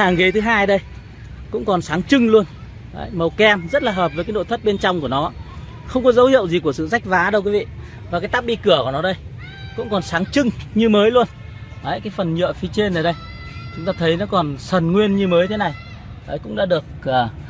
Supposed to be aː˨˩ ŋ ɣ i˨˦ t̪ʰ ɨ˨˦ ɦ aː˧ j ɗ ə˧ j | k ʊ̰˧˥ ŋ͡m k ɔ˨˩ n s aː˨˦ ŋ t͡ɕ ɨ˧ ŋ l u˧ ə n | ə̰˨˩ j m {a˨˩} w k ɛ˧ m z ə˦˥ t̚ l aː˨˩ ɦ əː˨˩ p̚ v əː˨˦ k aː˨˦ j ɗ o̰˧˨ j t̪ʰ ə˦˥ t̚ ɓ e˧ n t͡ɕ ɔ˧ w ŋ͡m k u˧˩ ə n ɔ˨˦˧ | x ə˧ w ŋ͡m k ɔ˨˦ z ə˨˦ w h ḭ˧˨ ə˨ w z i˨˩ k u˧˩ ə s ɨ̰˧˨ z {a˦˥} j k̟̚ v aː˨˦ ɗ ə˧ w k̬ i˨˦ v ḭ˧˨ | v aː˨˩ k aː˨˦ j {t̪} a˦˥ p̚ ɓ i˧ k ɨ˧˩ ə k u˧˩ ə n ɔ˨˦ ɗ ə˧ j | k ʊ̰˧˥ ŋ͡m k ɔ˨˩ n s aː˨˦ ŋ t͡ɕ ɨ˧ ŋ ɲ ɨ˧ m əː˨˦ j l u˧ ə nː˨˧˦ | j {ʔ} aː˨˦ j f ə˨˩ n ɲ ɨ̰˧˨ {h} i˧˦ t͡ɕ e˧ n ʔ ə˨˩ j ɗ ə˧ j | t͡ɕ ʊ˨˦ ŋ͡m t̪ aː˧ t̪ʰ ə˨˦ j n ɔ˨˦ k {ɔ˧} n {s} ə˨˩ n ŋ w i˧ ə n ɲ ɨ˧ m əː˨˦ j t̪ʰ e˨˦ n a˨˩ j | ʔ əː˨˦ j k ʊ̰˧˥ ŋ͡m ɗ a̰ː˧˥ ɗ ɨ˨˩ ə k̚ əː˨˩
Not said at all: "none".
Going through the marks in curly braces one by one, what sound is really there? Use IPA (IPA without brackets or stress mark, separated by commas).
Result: ə˨˩, a˦˥, t̪, k, f, ɔ˨˩, s